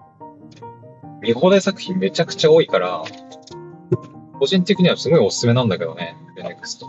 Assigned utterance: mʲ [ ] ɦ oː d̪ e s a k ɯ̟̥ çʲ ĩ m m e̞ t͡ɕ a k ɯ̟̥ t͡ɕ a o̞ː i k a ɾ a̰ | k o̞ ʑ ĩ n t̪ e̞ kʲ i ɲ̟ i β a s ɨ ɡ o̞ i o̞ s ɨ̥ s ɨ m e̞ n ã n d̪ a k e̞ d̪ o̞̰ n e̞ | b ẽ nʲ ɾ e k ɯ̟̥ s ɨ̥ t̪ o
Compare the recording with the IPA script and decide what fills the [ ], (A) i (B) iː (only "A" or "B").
A